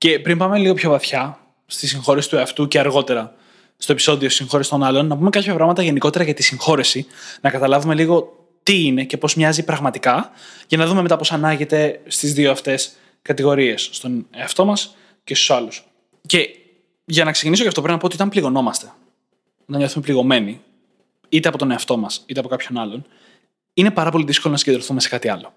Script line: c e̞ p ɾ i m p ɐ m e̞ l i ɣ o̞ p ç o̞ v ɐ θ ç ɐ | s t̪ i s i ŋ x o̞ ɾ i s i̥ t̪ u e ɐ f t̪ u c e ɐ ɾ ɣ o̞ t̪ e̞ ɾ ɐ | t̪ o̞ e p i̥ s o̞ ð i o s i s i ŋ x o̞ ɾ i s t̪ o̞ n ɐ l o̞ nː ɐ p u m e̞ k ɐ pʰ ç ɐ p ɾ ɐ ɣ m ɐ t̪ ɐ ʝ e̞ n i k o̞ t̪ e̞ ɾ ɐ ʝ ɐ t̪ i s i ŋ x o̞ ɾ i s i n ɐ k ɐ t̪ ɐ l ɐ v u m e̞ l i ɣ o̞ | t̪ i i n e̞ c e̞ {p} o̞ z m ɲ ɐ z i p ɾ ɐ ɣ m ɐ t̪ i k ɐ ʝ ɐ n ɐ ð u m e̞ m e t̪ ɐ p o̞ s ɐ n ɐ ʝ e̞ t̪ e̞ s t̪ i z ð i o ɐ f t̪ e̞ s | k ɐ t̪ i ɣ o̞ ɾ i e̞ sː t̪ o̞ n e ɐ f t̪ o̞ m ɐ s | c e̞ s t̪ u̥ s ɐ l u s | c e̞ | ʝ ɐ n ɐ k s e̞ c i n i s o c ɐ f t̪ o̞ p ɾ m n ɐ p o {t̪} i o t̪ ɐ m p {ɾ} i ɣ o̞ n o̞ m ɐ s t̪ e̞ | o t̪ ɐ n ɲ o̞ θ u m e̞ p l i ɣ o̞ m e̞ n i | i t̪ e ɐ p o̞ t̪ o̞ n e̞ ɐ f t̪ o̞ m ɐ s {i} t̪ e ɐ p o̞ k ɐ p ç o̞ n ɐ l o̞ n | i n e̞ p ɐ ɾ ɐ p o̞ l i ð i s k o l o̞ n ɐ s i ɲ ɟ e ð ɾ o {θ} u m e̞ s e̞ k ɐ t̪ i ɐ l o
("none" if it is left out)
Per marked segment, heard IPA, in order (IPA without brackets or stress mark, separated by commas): p, t̪, l, i, θ